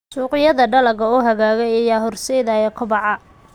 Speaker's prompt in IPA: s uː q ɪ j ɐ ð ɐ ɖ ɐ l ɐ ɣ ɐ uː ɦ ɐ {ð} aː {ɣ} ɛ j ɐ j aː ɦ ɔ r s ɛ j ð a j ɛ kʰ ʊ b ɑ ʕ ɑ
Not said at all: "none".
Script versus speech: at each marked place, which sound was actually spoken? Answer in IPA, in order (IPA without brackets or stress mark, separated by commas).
ɣ, ɣ